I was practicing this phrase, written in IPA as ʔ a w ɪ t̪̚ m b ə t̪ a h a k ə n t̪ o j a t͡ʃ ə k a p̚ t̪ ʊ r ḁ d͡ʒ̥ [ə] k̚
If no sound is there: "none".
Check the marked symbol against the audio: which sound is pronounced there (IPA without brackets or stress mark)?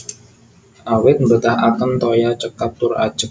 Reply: ə